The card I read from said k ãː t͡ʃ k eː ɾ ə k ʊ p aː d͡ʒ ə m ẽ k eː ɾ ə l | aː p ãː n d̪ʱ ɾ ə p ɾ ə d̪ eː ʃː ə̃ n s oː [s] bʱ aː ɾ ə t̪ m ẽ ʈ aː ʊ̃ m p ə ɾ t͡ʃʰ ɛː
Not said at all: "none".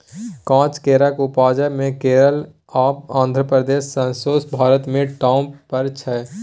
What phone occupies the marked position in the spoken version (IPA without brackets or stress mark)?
s